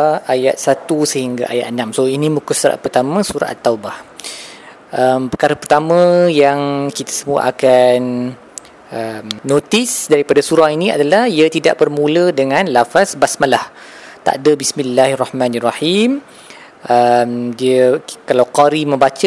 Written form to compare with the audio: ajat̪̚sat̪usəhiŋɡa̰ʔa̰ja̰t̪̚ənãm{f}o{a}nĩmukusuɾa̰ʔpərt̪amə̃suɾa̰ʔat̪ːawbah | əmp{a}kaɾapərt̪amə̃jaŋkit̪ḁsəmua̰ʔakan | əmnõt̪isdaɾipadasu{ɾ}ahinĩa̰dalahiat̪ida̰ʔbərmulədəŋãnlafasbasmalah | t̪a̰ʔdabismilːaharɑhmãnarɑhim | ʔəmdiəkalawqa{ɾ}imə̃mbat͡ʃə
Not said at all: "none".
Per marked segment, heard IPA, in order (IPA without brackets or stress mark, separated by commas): s, i, ə, ɾ, ɾ